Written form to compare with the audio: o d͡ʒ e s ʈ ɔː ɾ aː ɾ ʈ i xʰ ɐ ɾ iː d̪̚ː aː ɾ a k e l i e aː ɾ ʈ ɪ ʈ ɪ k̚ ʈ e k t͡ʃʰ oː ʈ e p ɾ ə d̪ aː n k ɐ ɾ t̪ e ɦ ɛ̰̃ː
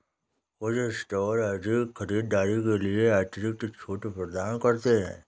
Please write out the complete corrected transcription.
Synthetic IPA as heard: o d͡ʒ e s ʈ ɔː ɾ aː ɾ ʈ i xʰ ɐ ɾ iː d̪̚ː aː ɾ i k e l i e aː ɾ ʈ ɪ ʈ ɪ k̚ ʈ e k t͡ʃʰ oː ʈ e p ɾ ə d̪ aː n k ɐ ɾ t̪ e ɦ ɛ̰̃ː